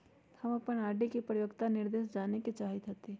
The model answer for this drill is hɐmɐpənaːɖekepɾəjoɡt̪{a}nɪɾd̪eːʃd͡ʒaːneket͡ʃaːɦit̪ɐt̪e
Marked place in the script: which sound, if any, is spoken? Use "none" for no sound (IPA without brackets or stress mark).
a